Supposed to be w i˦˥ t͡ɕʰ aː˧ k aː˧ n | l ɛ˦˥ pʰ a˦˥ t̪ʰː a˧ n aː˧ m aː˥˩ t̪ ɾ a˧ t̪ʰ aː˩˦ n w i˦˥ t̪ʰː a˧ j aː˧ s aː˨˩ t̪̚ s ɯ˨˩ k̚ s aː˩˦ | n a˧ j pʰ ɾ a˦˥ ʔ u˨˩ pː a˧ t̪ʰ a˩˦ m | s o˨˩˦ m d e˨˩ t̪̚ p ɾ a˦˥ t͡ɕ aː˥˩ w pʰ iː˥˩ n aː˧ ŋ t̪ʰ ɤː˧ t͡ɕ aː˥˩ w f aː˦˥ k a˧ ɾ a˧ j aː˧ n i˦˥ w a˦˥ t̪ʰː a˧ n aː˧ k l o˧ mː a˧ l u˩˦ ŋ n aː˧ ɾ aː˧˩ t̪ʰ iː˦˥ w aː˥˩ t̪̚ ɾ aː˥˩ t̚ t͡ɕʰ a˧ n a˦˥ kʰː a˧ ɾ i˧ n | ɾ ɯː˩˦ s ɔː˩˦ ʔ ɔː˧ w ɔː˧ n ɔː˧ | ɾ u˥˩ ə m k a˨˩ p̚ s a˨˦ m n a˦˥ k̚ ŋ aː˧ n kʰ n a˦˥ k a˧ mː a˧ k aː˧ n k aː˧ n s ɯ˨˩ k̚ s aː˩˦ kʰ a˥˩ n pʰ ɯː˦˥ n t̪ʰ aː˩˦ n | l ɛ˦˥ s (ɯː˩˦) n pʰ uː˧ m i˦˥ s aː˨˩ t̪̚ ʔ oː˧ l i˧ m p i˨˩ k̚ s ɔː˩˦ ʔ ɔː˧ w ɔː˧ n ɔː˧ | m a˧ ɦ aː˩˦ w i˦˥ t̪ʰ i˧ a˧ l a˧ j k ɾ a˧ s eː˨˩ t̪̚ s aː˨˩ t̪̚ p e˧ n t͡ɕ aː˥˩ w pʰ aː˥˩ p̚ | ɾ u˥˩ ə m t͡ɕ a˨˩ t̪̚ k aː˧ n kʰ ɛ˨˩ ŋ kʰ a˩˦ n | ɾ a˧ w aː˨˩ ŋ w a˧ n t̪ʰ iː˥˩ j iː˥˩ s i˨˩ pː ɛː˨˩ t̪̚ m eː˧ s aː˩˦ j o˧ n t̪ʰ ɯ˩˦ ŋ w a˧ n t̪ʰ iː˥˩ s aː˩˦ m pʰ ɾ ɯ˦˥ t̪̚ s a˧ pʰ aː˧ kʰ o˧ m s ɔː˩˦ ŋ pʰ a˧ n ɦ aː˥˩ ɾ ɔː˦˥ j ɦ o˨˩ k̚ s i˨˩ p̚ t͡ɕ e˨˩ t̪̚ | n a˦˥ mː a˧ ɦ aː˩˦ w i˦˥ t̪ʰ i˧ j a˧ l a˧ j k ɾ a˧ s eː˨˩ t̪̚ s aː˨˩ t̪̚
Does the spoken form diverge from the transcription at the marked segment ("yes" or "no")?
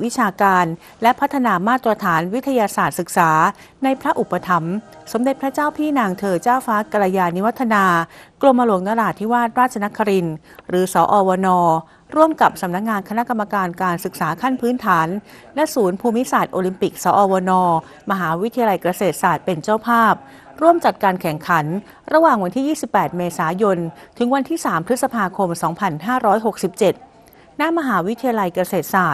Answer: yes